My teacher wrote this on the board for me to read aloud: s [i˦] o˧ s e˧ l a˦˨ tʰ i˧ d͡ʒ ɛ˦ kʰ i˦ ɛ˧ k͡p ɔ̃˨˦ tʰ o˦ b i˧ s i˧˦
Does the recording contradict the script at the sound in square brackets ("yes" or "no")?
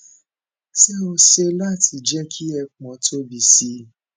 yes